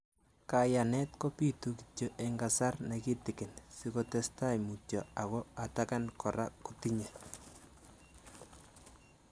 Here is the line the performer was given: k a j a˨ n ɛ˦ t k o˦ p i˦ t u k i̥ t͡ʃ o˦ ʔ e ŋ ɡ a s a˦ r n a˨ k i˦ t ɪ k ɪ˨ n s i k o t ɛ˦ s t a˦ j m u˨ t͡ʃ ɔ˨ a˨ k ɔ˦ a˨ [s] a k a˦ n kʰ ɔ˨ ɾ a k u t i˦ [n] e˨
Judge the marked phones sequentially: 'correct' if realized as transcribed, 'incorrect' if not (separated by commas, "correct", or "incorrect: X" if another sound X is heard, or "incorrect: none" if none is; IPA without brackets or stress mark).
incorrect: t, incorrect: ɲ